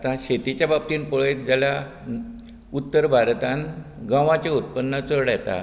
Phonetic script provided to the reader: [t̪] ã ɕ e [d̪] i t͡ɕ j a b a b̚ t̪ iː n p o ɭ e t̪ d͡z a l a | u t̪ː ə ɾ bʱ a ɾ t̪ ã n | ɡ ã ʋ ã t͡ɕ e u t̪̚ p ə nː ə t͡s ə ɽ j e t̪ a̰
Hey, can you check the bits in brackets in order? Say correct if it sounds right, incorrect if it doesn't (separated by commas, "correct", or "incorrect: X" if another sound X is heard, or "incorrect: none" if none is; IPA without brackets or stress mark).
correct, incorrect: t̪